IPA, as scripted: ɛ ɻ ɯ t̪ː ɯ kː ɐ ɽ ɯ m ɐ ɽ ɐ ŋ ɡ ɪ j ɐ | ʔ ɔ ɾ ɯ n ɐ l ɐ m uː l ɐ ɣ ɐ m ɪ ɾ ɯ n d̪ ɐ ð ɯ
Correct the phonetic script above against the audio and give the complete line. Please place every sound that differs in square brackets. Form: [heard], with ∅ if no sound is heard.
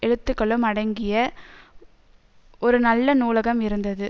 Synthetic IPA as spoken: ɛ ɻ ɯ t̪ː ɯ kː ɐ [ɭ] ɯ m ɐ ɽ ɐ ŋ ɡ ɪ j ɐ | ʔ ɔ ɾ ɯ n ɐ [lː] ɐ [n] uː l ɐ ɣ ɐ m ɪ ɾ ɯ n d̪ ɐ ð ɯ